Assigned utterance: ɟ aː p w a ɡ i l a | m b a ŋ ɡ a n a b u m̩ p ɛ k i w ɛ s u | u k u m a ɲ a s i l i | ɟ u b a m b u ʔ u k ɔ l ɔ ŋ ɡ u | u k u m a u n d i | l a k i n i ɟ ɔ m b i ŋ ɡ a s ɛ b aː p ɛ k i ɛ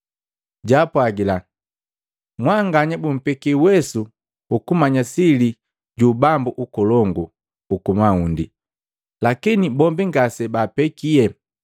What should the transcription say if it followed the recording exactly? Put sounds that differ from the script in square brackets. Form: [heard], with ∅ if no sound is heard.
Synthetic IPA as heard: ɟ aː p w a ɡ i l a | m [w] a ŋ ɡ a [ɲ] a b u m̩ p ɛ k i w ɛ s u | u k u m a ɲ a s i l i | ɟ u b a m b u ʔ u k ɔ l ɔ ŋ ɡ u | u k u m a u n d i | l a k i n i [b] ɔ m b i ŋ ɡ a s ɛ b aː p ɛ k i ɛ